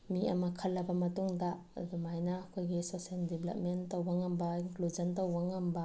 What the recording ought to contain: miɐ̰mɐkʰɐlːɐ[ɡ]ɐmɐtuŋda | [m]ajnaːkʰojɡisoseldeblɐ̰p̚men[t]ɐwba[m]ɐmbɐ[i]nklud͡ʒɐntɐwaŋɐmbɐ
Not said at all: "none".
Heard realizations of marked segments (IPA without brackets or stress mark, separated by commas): b, m, t, ŋ, i